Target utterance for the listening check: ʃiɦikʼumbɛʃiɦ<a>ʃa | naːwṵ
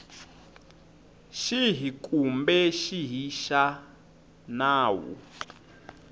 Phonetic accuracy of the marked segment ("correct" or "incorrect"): incorrect